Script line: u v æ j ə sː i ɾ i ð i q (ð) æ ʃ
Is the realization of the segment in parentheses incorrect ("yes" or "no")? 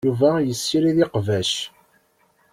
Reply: yes